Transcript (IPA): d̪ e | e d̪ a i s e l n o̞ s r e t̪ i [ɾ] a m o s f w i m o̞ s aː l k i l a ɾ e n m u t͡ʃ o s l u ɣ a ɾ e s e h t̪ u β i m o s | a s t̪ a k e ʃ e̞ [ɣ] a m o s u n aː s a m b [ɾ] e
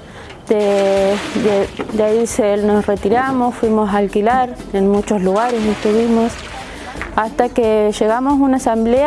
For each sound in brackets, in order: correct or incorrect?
correct, correct, incorrect

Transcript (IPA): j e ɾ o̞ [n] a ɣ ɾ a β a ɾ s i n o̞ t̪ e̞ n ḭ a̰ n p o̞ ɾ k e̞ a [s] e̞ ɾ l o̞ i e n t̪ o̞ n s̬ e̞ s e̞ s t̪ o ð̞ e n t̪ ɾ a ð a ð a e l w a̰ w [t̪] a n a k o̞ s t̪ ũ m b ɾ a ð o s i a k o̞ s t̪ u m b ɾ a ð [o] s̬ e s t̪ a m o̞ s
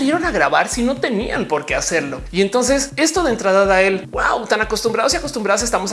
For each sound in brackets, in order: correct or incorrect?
correct, correct, correct, correct

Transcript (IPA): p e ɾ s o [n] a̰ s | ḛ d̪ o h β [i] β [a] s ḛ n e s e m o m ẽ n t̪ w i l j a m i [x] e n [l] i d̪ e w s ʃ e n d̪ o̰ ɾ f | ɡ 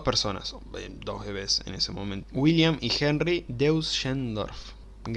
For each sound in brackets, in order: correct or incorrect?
correct, incorrect, incorrect, correct, incorrect

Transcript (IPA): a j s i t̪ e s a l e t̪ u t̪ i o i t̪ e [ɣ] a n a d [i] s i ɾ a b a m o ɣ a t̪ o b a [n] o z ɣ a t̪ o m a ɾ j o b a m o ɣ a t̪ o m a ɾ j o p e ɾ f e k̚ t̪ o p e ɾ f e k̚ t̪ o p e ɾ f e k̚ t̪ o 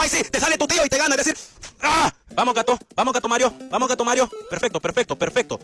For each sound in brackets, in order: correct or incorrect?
correct, incorrect, incorrect

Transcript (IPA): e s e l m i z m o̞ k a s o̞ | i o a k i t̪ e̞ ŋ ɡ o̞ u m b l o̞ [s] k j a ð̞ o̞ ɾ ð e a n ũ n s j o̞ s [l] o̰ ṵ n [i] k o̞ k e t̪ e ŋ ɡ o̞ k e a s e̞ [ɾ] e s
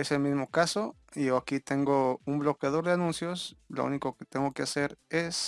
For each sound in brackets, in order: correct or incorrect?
incorrect, correct, correct, correct

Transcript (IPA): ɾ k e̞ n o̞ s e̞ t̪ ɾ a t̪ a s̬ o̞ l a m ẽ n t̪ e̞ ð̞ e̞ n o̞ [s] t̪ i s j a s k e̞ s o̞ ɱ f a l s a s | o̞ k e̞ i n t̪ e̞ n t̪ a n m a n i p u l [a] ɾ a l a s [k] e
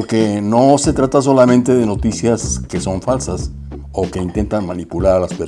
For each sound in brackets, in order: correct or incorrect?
incorrect, correct, incorrect

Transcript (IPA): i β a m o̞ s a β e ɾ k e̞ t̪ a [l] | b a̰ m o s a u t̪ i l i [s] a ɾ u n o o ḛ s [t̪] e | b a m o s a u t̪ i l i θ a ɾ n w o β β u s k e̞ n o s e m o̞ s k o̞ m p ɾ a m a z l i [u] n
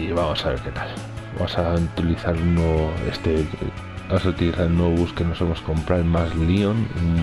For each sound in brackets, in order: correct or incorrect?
correct, incorrect, correct, incorrect

